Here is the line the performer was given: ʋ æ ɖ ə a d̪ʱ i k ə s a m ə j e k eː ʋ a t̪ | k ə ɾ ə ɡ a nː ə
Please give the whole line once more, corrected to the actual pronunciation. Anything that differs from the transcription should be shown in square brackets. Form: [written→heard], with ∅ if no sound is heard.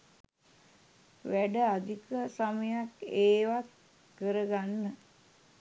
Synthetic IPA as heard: ʋ æ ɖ ə a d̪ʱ i k ə s a m ə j [e→a] k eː ʋ a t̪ | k ə ɾ ə ɡ a nː ə